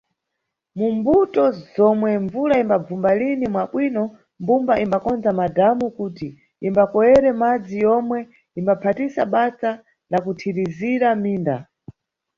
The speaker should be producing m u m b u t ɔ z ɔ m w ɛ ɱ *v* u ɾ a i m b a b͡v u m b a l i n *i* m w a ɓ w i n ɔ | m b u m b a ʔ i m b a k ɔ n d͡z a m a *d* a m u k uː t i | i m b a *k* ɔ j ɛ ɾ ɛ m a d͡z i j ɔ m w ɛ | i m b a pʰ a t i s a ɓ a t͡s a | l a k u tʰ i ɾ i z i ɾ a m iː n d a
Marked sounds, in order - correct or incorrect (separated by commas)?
correct, correct, correct, correct